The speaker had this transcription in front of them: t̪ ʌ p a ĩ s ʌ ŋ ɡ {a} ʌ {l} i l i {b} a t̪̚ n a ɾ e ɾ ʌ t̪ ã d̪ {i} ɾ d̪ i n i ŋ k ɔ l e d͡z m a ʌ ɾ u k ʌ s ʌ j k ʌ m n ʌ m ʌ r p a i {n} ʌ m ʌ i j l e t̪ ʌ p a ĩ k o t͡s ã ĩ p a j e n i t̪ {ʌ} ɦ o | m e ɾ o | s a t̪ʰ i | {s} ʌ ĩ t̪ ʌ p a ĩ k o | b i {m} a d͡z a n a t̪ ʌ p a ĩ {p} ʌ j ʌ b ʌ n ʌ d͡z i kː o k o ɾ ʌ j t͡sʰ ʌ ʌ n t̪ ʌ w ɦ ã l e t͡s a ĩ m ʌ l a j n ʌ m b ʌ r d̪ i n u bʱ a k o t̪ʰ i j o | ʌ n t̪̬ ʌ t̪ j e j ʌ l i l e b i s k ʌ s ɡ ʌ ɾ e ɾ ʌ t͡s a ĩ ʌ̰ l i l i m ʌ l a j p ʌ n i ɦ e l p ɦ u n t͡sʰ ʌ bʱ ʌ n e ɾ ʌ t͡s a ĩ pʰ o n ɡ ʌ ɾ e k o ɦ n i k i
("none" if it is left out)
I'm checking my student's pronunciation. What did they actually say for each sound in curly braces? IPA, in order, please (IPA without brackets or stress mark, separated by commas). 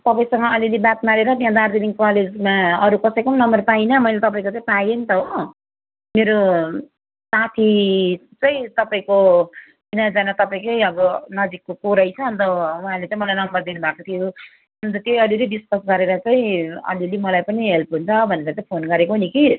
ʌ, l, b, a, n, ʌ, t͡s, n, k